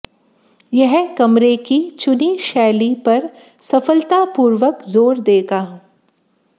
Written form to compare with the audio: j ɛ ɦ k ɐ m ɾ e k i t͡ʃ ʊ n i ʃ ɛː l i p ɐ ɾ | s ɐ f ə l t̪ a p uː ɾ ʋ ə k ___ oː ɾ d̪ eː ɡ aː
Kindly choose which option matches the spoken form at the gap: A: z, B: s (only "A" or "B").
A